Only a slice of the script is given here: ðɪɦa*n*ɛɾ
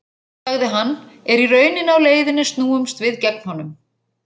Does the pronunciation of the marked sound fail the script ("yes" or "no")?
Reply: yes